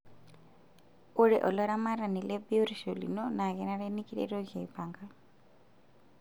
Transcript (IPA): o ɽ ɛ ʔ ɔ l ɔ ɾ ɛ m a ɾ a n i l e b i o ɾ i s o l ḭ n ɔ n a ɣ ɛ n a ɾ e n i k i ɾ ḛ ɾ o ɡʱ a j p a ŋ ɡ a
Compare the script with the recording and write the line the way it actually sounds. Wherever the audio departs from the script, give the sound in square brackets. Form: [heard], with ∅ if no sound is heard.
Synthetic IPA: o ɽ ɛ ʔ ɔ l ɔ ɾ [a] m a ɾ a n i l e b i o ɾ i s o l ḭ n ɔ n a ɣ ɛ n a ɾ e n i k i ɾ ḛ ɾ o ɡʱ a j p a ŋ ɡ a

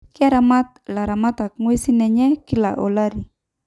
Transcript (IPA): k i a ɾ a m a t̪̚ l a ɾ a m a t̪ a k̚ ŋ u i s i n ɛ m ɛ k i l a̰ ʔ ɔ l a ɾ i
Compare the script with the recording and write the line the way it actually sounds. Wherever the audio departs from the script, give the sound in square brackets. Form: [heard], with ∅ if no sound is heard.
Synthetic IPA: k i a ɾ a m a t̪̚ l a ɾ a m a t̪ a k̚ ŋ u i s i n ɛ [ɲ] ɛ k i l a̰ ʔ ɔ l a ɾ i

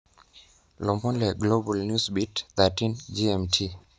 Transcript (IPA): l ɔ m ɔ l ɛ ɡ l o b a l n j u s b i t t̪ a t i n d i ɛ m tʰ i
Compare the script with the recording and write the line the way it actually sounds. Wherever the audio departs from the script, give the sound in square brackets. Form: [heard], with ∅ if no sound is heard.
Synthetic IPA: l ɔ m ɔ l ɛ ɡ l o b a l n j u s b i t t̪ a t i n [d͡ʒ] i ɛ m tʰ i

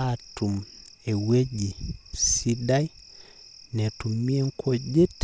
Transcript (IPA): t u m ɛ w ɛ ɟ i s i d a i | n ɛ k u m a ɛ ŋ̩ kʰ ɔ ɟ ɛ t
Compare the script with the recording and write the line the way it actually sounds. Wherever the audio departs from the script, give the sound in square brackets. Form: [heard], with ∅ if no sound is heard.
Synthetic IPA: t u m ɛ w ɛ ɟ i s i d a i | n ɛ [t] u m [i] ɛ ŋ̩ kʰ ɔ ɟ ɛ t

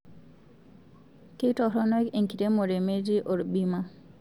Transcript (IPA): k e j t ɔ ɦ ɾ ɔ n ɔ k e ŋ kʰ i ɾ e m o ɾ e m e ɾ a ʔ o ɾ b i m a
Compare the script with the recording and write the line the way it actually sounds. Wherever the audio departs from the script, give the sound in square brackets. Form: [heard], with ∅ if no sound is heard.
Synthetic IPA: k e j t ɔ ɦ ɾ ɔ n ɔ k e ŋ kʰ i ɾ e m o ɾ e m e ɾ [i] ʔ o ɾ b i m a

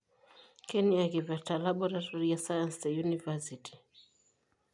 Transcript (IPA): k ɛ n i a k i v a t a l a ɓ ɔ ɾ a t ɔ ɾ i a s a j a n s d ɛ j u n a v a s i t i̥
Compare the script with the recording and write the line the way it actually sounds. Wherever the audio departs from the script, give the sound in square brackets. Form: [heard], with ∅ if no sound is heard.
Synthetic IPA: k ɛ n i a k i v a t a l a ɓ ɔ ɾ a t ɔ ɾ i a s a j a n s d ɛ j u n [i] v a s i t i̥

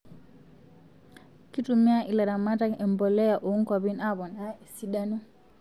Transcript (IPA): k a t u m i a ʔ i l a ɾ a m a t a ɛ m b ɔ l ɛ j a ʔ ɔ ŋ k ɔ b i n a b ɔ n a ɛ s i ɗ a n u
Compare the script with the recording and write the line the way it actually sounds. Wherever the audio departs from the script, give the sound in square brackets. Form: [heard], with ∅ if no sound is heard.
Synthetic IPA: k [i] t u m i a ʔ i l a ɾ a m a t a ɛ m b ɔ l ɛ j a ʔ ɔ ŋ k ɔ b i n a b ɔ n a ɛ s i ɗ a n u

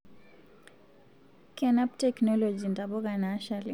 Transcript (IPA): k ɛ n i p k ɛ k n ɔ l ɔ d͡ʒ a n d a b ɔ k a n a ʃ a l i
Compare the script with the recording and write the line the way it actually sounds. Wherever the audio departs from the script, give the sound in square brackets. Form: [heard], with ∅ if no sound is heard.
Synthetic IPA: k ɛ n [a] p [t] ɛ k n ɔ l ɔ d͡ʒ [i] n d a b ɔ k a n a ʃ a l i

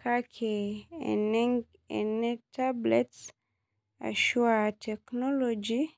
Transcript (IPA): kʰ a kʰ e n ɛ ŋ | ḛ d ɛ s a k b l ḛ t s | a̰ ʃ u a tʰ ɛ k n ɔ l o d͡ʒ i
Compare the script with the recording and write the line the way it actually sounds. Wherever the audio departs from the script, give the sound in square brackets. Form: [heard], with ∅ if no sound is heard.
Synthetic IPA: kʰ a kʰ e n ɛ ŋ | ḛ [n] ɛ [t] a [∅] b l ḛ t s | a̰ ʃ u a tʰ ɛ k n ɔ l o d͡ʒ i

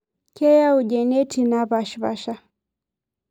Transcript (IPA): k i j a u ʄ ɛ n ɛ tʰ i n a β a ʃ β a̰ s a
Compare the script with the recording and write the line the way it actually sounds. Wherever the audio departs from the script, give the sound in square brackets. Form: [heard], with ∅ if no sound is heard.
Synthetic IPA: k [ɛ] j a u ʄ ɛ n ɛ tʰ i n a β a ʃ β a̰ [ʃ] a

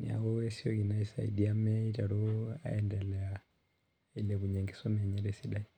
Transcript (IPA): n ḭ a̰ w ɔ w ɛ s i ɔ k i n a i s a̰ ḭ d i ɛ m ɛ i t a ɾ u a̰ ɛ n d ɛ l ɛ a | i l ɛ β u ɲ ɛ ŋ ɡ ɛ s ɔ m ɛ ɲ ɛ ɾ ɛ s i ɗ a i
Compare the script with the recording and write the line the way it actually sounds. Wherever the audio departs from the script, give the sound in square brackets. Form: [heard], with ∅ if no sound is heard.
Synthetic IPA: n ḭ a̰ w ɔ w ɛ s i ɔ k i n a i s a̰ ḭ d i [a] m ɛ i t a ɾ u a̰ ɛ n d ɛ l ɛ a | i l ɛ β u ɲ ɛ ŋ ɡ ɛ s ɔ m ɛ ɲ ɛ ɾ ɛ s i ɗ a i

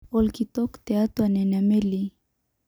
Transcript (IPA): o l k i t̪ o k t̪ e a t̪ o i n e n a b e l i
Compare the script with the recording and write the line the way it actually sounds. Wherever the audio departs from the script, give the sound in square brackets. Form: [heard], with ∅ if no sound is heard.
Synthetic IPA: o l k i t̪ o k t̪ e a t̪ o [a] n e n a [m] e l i

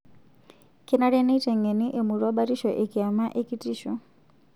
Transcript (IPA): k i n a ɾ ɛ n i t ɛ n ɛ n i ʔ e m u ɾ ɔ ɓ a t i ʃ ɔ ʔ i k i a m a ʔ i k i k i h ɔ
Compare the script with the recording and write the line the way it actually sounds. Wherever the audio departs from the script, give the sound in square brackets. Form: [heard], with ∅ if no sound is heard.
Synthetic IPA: k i n a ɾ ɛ n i t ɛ [ŋ] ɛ n i ʔ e m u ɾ ɔ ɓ a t i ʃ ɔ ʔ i k i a m a ʔ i k i [t] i [ʃ] ɔ

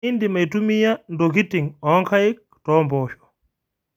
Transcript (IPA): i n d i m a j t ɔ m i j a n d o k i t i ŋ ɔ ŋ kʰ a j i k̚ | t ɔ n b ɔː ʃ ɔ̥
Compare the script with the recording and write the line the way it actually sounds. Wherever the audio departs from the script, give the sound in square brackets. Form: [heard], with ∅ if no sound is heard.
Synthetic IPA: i n d i m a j t [u] m i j a n d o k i t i ŋ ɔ ŋ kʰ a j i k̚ | t ɔ [m] b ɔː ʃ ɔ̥

